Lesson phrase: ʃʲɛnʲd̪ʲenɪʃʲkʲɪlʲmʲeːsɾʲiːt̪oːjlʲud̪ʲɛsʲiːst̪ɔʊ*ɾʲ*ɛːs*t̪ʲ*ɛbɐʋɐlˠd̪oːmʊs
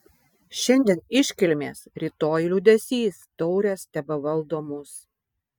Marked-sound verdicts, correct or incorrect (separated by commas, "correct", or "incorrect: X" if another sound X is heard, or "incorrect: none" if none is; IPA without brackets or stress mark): correct, correct